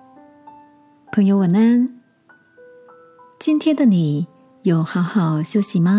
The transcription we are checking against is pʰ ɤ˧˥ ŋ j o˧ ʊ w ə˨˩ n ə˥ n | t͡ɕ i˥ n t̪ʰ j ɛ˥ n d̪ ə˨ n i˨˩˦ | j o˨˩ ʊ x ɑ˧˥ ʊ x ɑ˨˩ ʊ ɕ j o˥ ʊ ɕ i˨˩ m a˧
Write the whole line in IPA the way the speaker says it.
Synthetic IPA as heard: pʰ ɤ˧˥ ŋ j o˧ ʊ w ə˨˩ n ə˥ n | t͡ɕ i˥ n t̪ʰ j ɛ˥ n d̪ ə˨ n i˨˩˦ | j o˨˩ ʊ x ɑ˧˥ ʊ x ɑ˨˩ ʊ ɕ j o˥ ʊ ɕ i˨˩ m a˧